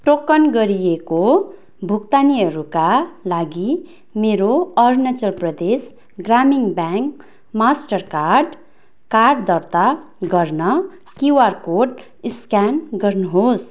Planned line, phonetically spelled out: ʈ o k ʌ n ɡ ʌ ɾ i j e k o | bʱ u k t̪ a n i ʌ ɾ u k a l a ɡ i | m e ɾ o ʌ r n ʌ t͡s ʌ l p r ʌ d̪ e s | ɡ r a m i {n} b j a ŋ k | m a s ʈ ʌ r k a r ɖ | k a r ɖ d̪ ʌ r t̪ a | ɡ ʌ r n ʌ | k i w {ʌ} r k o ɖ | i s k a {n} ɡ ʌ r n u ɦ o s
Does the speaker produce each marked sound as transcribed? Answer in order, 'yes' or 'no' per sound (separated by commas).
no, no, yes